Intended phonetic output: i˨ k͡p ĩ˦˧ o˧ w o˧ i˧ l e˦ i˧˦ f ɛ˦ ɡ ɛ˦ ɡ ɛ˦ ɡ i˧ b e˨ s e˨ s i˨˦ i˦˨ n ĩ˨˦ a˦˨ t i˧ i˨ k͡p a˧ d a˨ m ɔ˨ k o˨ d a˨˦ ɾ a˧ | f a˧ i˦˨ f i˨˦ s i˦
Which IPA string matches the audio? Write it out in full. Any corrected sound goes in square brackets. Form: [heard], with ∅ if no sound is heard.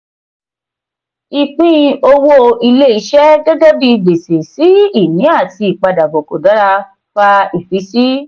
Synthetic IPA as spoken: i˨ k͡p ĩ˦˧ o˧ w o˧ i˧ l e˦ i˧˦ [ʃ] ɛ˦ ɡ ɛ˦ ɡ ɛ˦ [b] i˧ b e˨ s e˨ s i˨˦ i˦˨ n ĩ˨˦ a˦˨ t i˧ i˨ k͡p a˧ d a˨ [b] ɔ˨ k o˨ d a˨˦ ɾ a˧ | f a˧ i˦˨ f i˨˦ s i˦